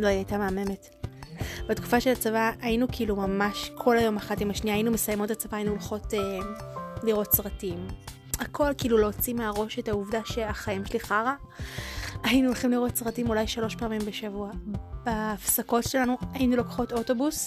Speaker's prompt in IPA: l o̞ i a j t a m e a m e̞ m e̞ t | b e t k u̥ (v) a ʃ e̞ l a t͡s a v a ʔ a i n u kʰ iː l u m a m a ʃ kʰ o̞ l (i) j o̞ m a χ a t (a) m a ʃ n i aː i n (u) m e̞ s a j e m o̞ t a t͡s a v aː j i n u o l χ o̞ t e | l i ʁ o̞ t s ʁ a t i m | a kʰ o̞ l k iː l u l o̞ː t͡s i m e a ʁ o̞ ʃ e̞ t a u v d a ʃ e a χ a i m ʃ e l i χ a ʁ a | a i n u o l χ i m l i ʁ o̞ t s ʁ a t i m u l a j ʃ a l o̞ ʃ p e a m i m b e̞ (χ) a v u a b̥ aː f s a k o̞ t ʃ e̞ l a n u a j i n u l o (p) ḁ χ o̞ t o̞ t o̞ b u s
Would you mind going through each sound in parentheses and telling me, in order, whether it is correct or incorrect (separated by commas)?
incorrect, incorrect, incorrect, correct, incorrect, incorrect